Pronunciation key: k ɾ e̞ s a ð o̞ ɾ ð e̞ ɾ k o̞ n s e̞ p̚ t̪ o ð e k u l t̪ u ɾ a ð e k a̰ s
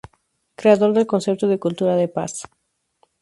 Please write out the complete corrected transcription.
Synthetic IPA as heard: k ɾ e̞ a ð o̞ ɾ ð e̞ l k o̞ n s e̞ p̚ t̪ o ð e k u l t̪ u ɾ a ð e p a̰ s